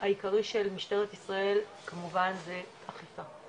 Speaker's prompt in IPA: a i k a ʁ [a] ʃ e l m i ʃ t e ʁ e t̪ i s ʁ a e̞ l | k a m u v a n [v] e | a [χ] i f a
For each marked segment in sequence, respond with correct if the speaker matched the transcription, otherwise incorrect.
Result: incorrect: i, incorrect: z, correct

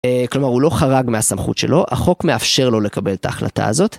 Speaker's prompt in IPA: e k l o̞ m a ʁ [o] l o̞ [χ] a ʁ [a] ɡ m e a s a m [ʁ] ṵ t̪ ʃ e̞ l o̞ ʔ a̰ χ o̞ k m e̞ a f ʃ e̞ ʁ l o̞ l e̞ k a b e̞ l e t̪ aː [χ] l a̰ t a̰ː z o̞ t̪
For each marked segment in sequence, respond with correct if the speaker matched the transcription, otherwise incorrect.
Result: incorrect: u, correct, correct, incorrect: χ, correct

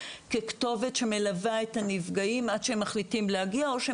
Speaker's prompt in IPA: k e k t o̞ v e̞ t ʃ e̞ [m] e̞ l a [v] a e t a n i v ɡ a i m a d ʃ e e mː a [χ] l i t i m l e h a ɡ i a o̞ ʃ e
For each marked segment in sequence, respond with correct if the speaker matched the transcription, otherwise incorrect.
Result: correct, correct, correct

